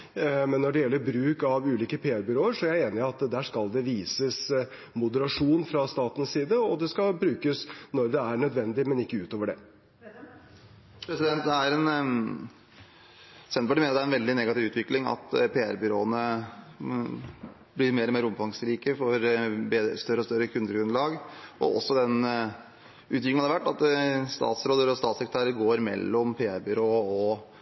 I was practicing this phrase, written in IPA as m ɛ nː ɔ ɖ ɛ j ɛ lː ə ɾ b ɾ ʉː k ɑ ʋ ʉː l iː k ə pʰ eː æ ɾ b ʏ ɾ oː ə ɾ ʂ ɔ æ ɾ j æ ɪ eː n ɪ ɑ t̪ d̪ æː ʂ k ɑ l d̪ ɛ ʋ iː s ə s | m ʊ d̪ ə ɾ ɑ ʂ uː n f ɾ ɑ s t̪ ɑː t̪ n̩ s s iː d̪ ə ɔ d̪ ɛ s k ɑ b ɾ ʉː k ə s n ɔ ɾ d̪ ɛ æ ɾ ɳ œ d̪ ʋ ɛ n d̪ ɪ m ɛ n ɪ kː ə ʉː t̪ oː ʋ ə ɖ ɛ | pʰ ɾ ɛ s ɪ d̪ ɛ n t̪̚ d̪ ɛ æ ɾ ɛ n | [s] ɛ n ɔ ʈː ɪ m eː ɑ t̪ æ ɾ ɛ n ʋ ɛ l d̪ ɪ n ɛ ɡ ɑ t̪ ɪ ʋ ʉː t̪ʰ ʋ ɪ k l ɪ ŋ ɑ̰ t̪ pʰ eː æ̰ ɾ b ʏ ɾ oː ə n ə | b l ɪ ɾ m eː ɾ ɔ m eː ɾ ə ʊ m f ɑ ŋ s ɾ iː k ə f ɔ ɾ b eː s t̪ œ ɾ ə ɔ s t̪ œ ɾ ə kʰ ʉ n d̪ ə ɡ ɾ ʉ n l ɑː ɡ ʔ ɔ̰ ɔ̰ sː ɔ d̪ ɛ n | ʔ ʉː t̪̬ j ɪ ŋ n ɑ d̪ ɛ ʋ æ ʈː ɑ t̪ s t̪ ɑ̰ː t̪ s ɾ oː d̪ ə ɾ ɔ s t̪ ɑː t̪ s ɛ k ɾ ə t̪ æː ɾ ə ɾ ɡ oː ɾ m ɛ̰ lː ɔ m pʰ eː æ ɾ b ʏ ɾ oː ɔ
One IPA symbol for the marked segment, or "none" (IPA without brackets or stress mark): s